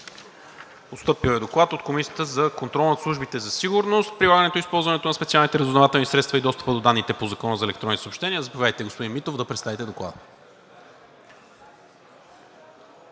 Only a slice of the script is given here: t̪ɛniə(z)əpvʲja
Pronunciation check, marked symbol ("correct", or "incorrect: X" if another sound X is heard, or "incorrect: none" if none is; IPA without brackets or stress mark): correct